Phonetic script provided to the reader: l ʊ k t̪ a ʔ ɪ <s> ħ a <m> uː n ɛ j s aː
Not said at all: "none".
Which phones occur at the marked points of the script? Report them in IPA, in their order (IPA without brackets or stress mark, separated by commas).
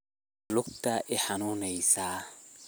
none, n